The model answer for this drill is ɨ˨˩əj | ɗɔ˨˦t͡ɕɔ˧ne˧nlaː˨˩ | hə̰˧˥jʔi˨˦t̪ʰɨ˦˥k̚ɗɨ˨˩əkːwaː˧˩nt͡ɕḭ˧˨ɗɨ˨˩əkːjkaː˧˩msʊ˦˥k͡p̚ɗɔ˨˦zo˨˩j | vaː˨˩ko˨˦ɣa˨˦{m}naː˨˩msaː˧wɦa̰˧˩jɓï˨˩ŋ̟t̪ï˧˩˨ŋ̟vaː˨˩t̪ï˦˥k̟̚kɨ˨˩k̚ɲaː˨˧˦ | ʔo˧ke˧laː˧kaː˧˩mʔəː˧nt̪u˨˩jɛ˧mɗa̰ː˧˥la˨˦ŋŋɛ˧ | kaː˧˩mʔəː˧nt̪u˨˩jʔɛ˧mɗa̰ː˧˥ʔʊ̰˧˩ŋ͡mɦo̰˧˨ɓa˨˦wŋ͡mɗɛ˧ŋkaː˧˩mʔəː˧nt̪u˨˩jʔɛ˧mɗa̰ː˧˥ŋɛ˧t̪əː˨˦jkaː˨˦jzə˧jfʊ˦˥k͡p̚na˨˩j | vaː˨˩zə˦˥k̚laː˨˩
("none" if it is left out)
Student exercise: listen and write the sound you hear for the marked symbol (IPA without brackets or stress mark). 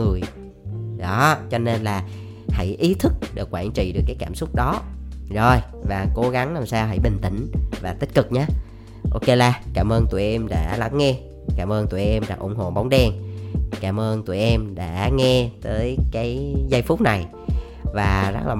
ŋ